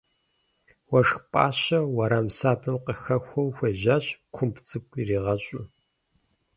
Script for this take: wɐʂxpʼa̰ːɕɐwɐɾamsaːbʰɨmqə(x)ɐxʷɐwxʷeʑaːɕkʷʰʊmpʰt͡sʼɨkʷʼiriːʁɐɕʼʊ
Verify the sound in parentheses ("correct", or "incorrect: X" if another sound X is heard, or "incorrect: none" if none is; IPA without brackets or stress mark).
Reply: correct